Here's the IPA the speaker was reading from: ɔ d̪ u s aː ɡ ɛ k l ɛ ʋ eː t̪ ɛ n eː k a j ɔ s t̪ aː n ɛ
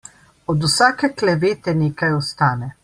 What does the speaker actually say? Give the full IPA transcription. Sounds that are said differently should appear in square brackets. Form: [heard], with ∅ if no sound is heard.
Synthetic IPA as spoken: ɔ d̪ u s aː [k] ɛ k l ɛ ʋ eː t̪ ɛ n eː k a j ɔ s t̪ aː n ɛ